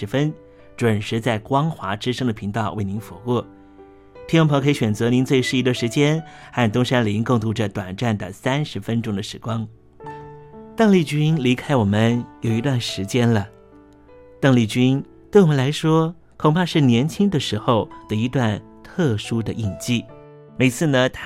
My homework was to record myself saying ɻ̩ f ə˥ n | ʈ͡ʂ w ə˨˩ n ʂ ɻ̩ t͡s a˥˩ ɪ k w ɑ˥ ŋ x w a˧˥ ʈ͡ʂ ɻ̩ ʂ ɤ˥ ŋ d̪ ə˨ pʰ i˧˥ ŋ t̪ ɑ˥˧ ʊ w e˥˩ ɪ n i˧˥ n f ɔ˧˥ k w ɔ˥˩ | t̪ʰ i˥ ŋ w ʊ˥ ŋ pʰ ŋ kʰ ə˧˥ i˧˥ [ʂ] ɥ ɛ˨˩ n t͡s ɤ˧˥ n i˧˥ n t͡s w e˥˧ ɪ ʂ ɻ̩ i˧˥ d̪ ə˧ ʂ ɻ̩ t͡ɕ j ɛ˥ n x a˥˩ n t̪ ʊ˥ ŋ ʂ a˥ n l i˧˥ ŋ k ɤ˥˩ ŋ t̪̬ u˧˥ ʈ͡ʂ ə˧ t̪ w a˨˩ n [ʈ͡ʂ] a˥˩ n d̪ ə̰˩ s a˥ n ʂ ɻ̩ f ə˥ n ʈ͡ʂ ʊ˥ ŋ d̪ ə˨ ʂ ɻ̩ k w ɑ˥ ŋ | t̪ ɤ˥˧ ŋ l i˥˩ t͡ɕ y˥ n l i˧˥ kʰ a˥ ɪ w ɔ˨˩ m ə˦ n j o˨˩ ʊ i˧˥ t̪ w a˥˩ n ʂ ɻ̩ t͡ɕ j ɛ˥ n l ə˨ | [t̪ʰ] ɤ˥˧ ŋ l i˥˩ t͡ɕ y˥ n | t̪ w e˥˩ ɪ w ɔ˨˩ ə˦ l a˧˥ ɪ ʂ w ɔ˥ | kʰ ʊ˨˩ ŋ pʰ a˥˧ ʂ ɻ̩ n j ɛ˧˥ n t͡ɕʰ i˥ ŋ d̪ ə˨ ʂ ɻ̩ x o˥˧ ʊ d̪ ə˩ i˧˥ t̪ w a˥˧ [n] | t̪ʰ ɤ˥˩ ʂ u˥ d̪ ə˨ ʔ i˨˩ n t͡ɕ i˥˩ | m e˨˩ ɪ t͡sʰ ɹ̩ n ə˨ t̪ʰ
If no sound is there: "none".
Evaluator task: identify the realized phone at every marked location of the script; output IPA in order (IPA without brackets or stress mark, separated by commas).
ɕ, ʈ͡ʂ, t̪, n